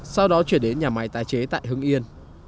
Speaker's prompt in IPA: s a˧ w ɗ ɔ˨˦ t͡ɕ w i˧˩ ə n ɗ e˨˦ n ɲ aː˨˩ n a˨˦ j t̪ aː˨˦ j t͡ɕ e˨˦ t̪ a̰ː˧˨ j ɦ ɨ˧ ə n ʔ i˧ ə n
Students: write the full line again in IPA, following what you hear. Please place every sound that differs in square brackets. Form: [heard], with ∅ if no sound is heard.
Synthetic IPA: s a˧ w ɗ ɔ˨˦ t͡ɕ w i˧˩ ə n ɗ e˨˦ n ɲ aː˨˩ [m] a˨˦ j t̪ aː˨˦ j t͡ɕ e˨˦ t̪ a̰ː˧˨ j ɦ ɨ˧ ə [ŋ] ʔ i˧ ə n